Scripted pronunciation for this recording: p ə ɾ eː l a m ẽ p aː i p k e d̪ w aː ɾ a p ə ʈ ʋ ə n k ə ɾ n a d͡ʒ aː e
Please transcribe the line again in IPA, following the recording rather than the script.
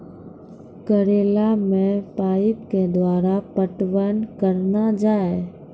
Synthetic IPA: k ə ɾ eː l a m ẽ p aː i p k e d̪ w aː ɾ a p ə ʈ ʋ ə n k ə ɾ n a d͡ʒ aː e